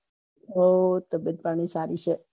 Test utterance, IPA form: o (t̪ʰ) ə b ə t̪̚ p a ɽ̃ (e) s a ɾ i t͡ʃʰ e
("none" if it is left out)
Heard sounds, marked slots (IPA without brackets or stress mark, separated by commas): t̪, i